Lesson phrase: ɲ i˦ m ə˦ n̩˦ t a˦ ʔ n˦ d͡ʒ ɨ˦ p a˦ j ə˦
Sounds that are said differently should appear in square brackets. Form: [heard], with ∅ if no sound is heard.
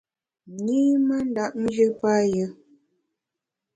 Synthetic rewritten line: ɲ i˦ m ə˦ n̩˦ [d] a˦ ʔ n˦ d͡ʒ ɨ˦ p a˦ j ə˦